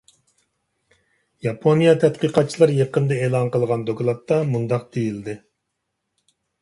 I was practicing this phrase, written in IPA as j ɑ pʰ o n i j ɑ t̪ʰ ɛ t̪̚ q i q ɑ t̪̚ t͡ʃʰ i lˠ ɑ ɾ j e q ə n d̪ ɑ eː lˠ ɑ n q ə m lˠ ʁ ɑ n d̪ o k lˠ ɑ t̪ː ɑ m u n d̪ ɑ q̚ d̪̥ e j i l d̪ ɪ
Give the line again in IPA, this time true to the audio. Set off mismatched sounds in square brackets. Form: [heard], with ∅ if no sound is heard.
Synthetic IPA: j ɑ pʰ o n i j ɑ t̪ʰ ɛ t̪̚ q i q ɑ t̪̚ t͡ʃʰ i lˠ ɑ ɾ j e q ə n d̪ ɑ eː lˠ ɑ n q ə [∅] lˠ ʁ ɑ n d̪ o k lˠ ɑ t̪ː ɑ m u n d̪ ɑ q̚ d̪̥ e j i l d̪ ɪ